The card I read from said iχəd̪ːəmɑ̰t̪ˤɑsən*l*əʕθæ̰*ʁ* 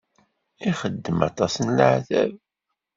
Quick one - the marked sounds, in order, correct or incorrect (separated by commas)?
correct, incorrect